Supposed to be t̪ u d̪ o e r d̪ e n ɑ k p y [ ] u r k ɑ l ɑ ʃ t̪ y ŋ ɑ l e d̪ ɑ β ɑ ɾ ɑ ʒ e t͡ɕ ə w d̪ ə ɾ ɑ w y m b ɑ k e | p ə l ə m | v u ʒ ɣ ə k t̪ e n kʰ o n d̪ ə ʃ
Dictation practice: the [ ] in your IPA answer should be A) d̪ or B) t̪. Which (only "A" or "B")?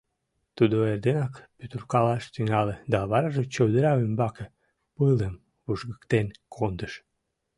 B